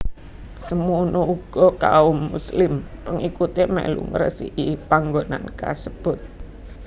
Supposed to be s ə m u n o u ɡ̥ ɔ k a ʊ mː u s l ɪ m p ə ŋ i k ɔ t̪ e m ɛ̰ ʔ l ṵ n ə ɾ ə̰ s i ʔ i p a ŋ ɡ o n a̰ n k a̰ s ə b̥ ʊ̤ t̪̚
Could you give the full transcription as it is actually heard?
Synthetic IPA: s ə m u n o u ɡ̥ ɔ k a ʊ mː u s l ɪ m p ə ŋ i k u t̪ e m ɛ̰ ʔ l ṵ ŋ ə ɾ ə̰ s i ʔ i p a ŋ ɡ o n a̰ n k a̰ s ə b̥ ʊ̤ t̪̚

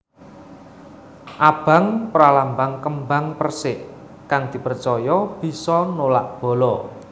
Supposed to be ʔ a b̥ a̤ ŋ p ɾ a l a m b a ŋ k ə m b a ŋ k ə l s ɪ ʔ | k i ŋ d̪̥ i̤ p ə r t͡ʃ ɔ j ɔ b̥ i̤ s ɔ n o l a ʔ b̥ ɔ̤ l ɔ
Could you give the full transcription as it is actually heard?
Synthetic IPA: ʔ a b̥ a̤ ŋ p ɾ a l a m b a ŋ k ə m b a ŋ p ə r s ɪ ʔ | k a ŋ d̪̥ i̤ p ə r t͡ʃ ɔ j ɔ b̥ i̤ s ɔ n o l a ʔ b̥ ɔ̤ l ɔ

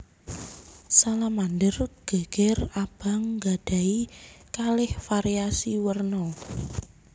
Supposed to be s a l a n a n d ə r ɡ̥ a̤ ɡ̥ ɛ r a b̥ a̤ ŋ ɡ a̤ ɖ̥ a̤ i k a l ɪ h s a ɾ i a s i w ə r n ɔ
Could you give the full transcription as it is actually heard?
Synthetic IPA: s a l a m a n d ə r ɡ̥ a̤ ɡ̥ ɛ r a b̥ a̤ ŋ ɡ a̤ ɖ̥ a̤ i k a l ɪ h f a ɾ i a s i w ə r n ɔ

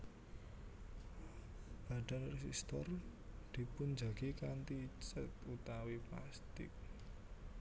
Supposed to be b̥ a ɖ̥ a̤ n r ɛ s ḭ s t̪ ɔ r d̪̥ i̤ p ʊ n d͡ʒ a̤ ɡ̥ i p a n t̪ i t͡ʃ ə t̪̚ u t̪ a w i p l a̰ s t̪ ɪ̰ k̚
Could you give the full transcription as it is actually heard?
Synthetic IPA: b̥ a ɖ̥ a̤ n r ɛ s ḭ s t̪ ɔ r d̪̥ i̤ p ʊ n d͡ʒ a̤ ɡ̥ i k a n t̪ i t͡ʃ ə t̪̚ u t̪ a w i p l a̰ s t̪ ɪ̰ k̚

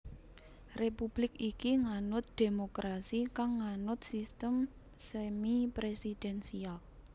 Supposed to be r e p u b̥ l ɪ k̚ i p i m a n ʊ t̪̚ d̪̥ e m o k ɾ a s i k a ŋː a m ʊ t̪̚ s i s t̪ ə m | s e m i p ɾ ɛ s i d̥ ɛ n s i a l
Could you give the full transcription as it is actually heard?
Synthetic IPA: r e p u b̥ l ɪ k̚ i k i ŋ a n ʊ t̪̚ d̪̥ e m o k ɾ a s i k a ŋː a n ʊ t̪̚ s i s t̪ ə m | s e m i p ɾ e s i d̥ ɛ n s i a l

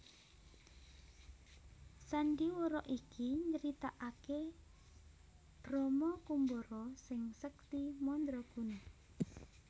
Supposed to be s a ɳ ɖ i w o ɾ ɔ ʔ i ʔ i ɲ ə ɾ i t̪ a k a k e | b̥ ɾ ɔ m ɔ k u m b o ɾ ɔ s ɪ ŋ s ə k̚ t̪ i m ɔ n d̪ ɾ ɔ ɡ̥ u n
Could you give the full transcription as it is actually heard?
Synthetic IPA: s a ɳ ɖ i w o ɾ ɔ ʔ i k i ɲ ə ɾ i t̪ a ʔ a k e | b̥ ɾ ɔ m ɔ k u m b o ɾ ɔ s ɪ ŋ s ə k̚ t̪ i m ɔ n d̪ ɾ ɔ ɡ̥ u n

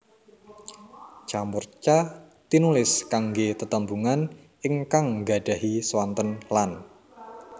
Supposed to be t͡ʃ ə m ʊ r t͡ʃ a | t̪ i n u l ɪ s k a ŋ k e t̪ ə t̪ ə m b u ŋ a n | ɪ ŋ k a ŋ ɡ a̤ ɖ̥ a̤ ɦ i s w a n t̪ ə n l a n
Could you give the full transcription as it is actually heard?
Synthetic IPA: t͡ʃ a m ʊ r t͡ʃ a | t̪ i n u l ɪ s k a ŋ ɡ e t̪ ə t̪ ə m b u ŋ a n | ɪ ŋ k a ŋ ɡ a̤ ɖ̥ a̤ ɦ i s w a n t̪ ə n l a n

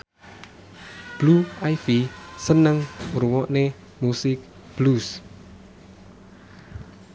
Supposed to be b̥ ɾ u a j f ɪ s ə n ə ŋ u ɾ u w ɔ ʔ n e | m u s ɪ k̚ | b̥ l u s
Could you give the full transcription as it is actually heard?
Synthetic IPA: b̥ l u a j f i s ə n ə ŋ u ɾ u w ɔ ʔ n e | m u s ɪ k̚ | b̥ l u s

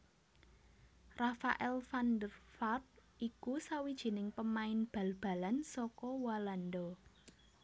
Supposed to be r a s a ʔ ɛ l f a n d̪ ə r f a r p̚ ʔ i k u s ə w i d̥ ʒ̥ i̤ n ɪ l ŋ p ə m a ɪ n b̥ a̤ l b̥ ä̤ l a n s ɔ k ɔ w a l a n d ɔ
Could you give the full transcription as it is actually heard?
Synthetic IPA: r a f a ʔ ɛ l f a n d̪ ə r f a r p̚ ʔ i k u s a w i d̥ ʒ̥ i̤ n ɪ ŋ p ə m a ɪ n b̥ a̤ l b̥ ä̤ l a n s ɔ k ɔ w a l a n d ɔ

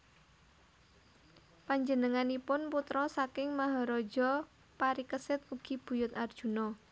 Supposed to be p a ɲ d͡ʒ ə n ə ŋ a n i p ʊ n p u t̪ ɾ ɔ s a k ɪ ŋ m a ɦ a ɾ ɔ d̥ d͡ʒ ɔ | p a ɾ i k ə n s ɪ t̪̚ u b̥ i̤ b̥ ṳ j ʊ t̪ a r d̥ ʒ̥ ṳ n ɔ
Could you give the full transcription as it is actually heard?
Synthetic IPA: p a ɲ d͡ʒ ə n ə ŋ a n i p ʊ n p u t̪ ɾ ɔ s a k ɪ ŋ m a ɦ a ɾ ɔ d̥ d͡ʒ ɔ | p a ɾ i k ə s ɪ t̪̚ u ɡ̥ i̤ b̥ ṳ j ʊ t̪ a r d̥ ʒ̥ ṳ n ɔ

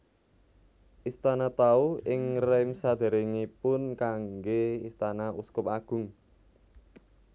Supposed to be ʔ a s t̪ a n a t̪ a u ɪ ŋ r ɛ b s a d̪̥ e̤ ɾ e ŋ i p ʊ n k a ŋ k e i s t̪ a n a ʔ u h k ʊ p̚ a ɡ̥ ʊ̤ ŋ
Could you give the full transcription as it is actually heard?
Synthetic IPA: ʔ i s t̪ a n a t̪ a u ɪ ŋ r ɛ m s a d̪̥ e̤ ɾ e ŋ i p ʊ n k a ŋ ɡ e i s t̪ a n a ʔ u s k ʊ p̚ a ɡ̥ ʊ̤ ŋ

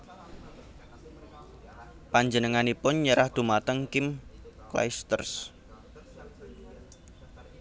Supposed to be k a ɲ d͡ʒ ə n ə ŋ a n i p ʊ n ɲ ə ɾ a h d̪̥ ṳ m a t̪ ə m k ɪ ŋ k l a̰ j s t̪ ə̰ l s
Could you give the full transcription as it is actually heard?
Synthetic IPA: p a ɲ d͡ʒ ə n ə ŋ a n i p ʊ n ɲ ə ɾ a h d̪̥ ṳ m a t̪ ə ŋ k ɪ m k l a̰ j s t̪ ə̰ r s

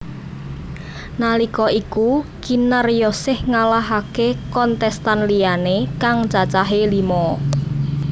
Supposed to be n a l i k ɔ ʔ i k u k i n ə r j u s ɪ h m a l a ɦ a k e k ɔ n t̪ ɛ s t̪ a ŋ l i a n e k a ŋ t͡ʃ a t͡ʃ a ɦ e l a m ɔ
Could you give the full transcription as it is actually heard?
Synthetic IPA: n a l i k ɔ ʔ i k u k i n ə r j ɔ s ɪ h ŋ a l a ɦ a k e k ɔ n t̪ ɛ s t̪ a n l i a n e k a ŋ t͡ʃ a t͡ʃ a ɦ e l i m ɔ

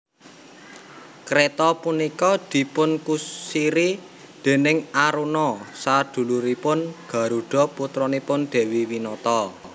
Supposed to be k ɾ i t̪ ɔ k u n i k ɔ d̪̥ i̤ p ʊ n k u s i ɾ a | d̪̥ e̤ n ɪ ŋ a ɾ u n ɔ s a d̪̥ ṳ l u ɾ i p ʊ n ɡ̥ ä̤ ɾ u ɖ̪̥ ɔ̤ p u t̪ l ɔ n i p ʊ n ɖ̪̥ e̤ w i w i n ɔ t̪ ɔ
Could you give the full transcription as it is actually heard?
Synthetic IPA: k ɾ e t̪ ɔ p u n i k ɔ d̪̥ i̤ p ʊ n k u s i ɾ i | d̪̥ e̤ n ɪ ŋ a ɾ u n ɔ s a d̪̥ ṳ l u ɾ i p ʊ n ɡ̥ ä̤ ɾ u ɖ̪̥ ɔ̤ p u t̪ ɾ ɔ n i p ʊ n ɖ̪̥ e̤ w i w i n ɔ t̪ ɔ

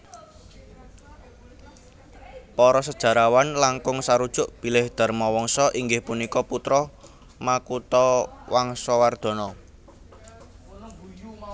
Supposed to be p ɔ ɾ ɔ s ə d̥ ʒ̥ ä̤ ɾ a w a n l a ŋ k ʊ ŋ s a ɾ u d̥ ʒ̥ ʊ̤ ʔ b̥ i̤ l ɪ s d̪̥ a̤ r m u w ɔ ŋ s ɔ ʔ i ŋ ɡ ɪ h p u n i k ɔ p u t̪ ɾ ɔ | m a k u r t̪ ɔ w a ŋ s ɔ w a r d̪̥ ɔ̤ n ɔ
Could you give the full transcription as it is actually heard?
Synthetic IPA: p ɔ ɾ ɔ s ə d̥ ʒ̥ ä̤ ɾ a w a n l a ŋ k ʊ ŋ s a ɾ u d̥ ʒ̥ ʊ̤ ʔ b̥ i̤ l ɪ h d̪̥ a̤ r m ɔ w ɔ ŋ s ɔ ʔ i ŋ ɡ ɪ h p u n i k ɔ p u t̪ ɾ ɔ | m a k u t̪ ɔ w a ŋ s ɔ w a r d̪̥ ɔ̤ n ɔ

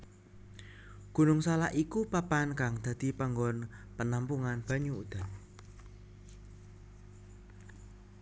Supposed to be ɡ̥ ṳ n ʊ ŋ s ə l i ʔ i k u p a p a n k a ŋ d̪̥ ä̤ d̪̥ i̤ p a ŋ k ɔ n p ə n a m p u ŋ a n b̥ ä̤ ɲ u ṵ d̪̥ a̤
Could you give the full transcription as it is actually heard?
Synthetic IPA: ɡ̥ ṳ n ʊ ŋ s a l a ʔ i k u p a p a n k a ŋ d̪̥ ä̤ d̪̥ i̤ p a ŋ ɡ ɔ n p ə n a m p u ŋ a n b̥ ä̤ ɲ u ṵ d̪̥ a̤

